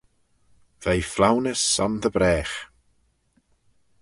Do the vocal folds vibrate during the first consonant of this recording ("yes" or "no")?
yes